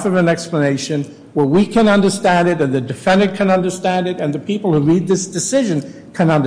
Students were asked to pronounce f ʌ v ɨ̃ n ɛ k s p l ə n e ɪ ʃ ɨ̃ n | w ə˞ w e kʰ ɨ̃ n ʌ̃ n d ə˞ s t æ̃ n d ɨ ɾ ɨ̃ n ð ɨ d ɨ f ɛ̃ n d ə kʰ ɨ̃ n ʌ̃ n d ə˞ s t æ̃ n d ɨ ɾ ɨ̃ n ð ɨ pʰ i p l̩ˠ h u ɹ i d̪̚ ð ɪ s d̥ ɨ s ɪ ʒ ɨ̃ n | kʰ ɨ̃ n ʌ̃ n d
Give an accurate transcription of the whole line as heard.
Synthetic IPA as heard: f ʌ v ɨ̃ n ɛ k s p l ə n e ɪ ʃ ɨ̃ n | w ə˞ w i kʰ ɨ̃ n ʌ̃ n d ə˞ s t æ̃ n d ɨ ɾ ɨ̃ n ð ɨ d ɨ f ɛ̃ n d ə kʰ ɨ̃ n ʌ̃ n d ə˞ s t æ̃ n d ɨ ɾ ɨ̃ n ð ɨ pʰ i p l̩ˠ h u ɹ i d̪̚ ð ɪ s d̥ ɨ s ɪ ʒ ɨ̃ n | kʰ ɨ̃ n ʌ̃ n d